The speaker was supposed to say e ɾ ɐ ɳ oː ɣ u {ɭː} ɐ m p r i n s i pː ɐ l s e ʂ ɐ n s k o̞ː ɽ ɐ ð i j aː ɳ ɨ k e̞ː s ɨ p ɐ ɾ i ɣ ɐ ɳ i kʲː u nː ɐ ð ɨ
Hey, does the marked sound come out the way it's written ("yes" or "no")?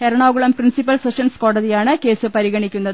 no